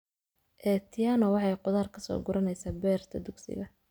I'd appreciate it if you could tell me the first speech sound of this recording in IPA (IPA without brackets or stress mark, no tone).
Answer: ʔ